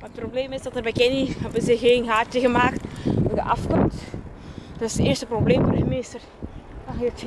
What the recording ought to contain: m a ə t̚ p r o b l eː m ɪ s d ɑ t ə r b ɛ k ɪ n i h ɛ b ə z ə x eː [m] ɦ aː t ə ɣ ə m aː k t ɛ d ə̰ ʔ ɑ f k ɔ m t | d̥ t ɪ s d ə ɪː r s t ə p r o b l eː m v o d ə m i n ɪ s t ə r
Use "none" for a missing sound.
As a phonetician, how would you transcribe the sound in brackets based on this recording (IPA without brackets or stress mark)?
n